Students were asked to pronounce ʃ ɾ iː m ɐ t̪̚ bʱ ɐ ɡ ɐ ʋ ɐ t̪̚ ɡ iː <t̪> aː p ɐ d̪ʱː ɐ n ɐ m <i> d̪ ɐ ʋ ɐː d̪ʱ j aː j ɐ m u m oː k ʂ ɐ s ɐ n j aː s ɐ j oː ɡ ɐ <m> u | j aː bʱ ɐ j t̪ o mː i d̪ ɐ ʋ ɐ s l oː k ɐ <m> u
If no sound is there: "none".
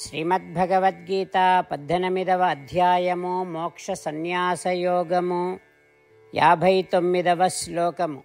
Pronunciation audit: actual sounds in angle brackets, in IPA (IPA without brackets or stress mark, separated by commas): t̪, i, m, m